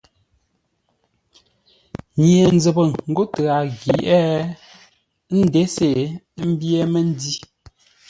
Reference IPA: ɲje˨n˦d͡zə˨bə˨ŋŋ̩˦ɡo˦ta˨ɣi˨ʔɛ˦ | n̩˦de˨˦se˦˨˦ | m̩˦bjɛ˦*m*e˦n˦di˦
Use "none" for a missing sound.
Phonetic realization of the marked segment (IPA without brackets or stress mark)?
m